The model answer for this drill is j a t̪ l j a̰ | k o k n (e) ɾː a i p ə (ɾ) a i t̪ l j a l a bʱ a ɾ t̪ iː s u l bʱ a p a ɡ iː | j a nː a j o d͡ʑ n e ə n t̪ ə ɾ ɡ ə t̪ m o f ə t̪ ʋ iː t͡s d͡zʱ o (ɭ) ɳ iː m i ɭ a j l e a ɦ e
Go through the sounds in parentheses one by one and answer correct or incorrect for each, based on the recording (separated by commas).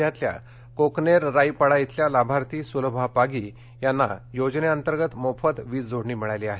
correct, incorrect, incorrect